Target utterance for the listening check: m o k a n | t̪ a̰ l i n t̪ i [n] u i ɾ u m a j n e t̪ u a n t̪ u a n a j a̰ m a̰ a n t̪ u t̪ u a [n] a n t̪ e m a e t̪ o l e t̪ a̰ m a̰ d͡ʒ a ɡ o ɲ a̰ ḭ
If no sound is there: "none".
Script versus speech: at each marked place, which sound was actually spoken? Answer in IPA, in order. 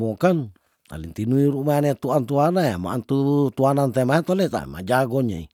n, n

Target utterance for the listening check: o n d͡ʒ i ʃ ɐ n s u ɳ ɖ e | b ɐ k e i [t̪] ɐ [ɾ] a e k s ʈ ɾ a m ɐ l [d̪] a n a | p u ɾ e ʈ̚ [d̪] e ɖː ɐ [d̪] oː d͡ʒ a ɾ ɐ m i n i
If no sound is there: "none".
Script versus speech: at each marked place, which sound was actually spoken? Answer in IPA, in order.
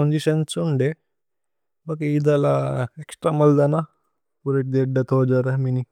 d̪, l, d̪, d̪, t̪

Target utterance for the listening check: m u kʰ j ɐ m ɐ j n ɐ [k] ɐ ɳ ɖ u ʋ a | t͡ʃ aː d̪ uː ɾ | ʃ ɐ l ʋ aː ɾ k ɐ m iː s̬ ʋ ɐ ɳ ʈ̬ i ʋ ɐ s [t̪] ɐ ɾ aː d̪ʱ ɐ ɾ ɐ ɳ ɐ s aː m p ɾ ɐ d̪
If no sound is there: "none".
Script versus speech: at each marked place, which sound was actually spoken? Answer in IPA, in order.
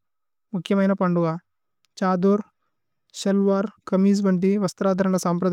p, t̪

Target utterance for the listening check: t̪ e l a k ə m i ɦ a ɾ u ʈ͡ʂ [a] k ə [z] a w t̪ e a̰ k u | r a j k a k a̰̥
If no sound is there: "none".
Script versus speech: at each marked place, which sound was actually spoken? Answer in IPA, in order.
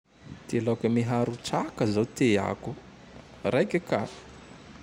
a, z

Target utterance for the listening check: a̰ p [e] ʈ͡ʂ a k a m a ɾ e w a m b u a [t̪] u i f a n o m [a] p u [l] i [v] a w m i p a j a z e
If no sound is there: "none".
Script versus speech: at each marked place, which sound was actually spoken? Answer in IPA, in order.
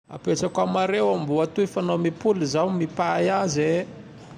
e, t̪, i, l, z

